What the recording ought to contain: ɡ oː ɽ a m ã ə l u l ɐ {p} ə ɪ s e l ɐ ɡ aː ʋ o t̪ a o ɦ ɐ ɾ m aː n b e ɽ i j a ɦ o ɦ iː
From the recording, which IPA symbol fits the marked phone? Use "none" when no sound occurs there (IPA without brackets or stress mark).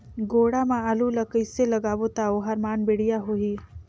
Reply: k